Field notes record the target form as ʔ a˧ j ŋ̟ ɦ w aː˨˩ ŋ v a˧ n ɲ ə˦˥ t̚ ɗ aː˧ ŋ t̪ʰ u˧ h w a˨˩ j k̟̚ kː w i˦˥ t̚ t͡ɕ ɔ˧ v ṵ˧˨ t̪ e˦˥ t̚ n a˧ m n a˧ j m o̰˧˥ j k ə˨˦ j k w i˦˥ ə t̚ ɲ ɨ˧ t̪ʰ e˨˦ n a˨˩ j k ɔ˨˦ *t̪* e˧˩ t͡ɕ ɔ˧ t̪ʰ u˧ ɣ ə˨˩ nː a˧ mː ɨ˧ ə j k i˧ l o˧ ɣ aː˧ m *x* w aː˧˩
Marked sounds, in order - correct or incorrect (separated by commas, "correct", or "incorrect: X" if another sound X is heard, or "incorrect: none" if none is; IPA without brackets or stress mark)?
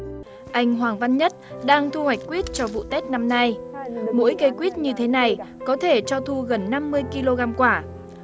incorrect: t̪ʰ, incorrect: k